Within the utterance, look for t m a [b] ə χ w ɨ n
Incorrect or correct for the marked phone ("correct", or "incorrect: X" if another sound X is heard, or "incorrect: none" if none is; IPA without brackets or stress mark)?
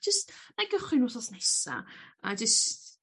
incorrect: ɡ